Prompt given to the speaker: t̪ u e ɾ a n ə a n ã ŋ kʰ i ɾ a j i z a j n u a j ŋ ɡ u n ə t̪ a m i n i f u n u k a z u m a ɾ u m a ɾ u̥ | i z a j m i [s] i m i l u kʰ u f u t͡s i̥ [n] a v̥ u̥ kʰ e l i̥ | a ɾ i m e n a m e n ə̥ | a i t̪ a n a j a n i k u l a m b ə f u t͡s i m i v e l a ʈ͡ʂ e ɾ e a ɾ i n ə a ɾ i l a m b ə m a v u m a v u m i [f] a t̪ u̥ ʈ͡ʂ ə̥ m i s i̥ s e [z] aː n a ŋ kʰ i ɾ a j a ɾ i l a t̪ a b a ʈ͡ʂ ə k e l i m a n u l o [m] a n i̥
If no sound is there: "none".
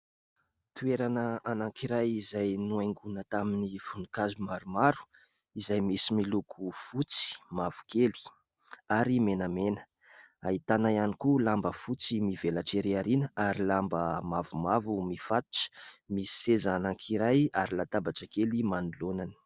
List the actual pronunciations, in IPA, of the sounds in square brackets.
s, m, f, z, n

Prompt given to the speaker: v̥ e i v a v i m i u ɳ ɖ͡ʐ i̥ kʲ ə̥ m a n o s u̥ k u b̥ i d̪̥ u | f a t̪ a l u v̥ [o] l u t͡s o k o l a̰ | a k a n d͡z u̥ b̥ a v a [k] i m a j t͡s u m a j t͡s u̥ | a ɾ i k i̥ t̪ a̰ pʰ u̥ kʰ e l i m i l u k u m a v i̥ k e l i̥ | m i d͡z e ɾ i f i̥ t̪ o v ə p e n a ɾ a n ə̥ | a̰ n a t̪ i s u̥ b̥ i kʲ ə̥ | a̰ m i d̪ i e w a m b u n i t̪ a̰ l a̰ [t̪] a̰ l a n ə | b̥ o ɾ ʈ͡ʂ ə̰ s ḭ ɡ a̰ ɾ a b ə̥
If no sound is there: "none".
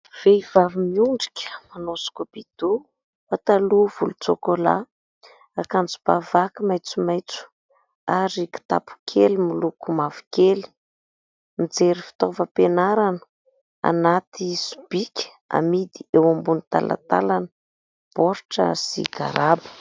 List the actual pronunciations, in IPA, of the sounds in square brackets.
u, k, t̪

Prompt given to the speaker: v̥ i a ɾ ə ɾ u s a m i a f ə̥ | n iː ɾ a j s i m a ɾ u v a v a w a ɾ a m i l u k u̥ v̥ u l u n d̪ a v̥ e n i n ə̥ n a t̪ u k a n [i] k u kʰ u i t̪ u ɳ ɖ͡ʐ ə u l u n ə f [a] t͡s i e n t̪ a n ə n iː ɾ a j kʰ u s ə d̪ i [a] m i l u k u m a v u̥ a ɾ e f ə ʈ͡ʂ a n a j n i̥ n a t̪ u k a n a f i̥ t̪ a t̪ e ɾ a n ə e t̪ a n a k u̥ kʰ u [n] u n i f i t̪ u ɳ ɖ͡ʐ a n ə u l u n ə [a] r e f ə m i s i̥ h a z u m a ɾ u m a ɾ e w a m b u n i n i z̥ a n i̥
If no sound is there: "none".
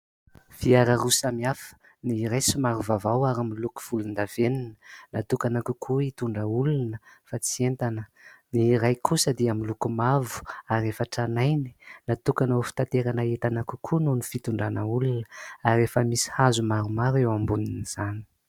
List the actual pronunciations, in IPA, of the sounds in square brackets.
a, a, a, n, a

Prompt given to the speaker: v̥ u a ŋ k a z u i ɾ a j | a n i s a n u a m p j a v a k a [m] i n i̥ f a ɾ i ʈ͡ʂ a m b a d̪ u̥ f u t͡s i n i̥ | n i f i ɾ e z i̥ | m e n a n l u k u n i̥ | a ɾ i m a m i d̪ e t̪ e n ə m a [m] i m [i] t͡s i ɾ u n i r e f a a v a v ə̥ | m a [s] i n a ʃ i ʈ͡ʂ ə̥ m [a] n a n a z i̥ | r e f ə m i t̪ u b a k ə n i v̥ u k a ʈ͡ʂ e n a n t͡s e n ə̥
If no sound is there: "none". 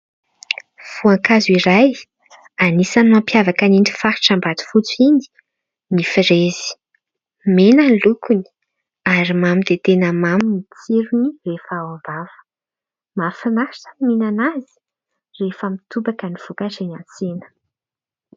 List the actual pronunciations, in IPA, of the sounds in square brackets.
n, m, i, f, i

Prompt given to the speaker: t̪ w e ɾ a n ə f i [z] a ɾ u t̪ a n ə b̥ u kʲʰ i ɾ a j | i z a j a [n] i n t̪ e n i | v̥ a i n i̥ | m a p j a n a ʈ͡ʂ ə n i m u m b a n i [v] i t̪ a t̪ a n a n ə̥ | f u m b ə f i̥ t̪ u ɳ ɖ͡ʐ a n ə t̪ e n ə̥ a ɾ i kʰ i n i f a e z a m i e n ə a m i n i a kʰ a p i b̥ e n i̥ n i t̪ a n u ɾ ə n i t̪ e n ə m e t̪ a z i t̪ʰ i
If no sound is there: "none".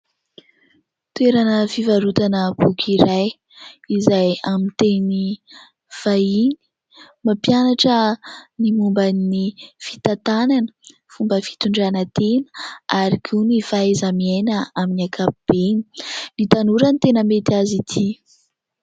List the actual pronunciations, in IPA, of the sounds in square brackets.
v, m, f

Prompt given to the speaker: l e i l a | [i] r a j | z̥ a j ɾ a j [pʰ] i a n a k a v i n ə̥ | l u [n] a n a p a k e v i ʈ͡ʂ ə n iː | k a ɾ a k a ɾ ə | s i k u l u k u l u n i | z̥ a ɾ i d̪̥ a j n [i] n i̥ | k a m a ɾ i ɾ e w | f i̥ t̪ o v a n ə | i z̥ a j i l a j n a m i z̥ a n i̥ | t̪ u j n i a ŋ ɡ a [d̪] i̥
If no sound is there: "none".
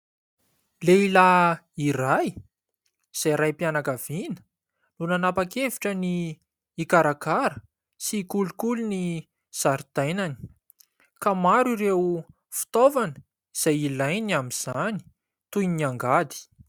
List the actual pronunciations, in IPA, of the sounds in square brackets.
i, p, n, a, d̪

